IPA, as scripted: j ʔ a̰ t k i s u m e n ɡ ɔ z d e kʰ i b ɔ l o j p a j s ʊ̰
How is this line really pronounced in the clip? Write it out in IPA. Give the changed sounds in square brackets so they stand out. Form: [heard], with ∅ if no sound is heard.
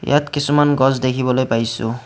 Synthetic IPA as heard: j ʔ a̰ t k i s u m [a] n ɡ ɔ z d e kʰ i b ɔ l o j p a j s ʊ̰